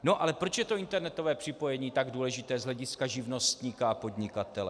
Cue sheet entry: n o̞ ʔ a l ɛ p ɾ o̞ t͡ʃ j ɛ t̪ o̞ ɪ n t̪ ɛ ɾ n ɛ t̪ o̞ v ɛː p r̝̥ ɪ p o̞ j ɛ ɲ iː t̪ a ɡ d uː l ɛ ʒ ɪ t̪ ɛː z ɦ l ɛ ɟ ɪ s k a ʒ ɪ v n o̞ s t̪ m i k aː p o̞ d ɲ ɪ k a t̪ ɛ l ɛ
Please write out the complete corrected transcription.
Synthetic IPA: n o̞ ʔ a l ɛ p ɾ o̞ t͡ʃ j ɛ t̪ o̞ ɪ n t̪ ɛ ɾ n ɛ t̪ o̞ v ɛː p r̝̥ ɪ p o̞ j ɛ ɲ iː t̪ a ɡ d uː l ɛ ʒ ɪ t̪ ɛː z ɦ l ɛ ɟ ɪ s k a ʒ ɪ v n o̞ s t̪ ɲ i k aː p o̞ d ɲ ɪ k a t̪ ɛ l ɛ